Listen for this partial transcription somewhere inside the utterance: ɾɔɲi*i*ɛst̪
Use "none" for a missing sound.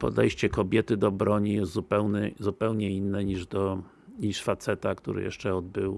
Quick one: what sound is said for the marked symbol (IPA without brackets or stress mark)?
j